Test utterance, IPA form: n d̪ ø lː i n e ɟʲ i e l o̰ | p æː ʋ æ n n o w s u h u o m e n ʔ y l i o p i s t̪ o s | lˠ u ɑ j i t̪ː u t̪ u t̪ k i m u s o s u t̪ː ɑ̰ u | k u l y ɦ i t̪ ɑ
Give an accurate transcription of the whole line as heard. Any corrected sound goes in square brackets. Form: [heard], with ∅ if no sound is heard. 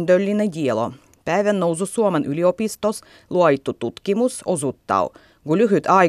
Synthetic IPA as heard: n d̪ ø lː i n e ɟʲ i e l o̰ | p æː ʋ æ n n o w s u [s] u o m e n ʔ y l i o p i s t̪ o s | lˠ u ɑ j i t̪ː u t̪ u t̪ k i m u s o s u t̪ː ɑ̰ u | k u l y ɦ [y] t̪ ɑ